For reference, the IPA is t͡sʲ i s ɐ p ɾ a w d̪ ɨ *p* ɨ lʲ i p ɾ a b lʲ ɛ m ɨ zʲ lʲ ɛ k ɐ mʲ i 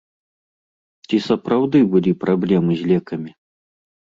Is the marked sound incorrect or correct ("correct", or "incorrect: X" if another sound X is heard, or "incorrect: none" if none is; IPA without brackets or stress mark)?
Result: incorrect: b